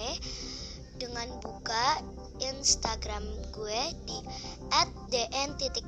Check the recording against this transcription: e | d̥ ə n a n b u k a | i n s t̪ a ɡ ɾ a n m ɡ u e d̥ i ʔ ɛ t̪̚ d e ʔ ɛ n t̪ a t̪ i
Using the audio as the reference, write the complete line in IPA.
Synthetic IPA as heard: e | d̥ ə ŋ a n b u k a | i n s t̪ a ɡ ɾ a m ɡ u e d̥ i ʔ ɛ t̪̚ d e ʔ ɛ n t̪ i t̪ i